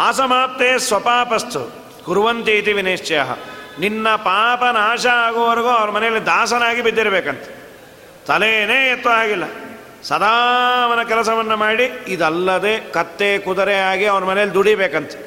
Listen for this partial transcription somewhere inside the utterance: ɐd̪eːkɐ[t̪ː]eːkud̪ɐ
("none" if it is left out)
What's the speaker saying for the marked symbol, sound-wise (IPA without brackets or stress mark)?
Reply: t̪ː